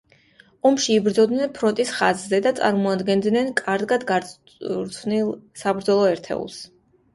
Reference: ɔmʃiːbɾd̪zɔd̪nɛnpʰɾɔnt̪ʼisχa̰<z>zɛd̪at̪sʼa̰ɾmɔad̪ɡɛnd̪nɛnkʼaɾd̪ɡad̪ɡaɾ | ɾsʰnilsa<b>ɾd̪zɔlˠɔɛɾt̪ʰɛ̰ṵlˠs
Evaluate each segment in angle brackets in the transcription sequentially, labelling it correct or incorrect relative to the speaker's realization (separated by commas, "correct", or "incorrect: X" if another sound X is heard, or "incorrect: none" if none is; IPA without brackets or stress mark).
correct, correct